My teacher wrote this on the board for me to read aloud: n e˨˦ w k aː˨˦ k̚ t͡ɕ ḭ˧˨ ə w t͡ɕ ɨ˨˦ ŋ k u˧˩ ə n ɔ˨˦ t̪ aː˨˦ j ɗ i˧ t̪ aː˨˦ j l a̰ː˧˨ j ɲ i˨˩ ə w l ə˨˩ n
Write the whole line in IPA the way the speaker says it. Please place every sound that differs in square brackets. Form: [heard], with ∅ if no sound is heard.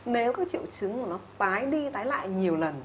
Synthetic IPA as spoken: n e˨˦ w k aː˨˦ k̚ t͡ɕ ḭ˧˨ ə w t͡ɕ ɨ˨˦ ŋ k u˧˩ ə n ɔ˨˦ t̪ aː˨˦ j ɗ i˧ t̪ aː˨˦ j l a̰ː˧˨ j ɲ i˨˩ ə w l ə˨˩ n